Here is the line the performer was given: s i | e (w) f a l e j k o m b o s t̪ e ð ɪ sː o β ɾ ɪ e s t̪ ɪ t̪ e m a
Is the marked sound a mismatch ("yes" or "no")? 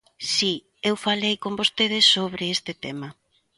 no